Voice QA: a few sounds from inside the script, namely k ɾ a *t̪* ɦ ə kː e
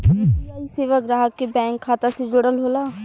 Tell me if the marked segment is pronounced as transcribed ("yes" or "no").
no